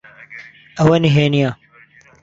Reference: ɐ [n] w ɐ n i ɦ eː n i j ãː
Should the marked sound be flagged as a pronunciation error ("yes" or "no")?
yes